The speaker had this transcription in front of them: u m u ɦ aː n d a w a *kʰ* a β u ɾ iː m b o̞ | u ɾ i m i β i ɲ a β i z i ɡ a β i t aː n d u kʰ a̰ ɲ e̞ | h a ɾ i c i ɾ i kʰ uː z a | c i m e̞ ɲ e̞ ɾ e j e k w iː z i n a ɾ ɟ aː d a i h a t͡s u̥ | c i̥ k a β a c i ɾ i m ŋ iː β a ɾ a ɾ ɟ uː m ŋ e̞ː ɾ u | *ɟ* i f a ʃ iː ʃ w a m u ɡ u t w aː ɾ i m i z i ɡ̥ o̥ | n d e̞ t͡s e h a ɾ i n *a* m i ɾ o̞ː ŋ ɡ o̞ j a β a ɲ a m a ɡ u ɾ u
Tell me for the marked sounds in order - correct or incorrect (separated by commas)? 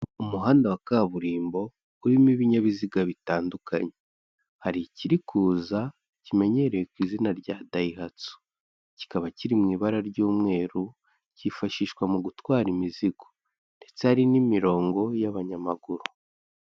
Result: incorrect, incorrect, incorrect